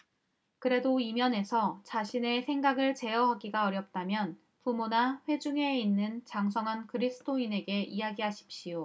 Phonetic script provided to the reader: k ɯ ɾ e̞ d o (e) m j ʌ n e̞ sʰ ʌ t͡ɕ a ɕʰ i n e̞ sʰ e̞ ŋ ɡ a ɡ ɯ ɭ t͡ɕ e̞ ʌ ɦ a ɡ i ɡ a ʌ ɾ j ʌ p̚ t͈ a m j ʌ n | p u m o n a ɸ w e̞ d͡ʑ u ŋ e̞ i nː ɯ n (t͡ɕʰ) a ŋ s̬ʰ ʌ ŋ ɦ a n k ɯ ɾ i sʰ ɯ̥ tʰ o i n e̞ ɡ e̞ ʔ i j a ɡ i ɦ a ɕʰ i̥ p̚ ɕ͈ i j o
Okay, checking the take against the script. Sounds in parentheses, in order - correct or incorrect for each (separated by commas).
incorrect, incorrect